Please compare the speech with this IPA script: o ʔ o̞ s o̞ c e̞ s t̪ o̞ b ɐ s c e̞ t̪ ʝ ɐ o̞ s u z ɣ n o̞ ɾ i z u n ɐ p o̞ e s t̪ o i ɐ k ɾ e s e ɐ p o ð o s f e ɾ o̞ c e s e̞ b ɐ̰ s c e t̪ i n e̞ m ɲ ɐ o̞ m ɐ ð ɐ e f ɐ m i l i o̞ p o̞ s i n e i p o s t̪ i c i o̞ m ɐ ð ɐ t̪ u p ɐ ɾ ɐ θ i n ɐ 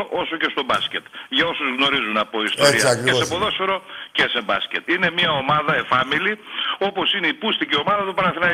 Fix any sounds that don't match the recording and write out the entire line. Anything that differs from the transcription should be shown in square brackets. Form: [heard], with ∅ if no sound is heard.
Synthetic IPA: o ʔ o̞ s o̞ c e̞ s t̪ o̞ b ɐ s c e̞ t̪ ʝ ɐ o̞ s u z ɣ n o̞ ɾ i z u n ɐ p o̞ [i] s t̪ o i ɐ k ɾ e s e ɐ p o ð o s f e ɾ o̞ c e s e̞ b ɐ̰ s c e t̪ i n e̞ m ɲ ɐ o̞ m ɐ ð ɐ e f ɐ m i l i o̞ p o̞ s i n e i p [u] s t̪ i c i o̞ m ɐ ð ɐ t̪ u p ɐ ɾ ɐ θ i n ɐ